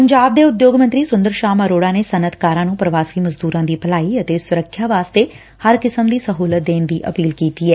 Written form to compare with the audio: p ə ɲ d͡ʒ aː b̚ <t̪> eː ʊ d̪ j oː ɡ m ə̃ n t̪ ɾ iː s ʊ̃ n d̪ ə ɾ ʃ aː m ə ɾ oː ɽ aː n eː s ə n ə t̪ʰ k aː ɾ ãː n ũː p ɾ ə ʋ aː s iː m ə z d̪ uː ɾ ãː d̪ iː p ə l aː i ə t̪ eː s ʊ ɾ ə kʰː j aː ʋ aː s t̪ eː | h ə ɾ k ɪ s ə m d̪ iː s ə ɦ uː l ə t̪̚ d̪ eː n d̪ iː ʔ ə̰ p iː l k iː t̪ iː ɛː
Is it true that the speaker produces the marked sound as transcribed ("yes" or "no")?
no